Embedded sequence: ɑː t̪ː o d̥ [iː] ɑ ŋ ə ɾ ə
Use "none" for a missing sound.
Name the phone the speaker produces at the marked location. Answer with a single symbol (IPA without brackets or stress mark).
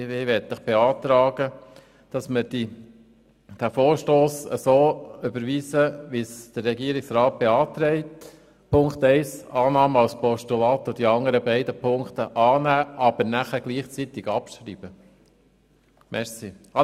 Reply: i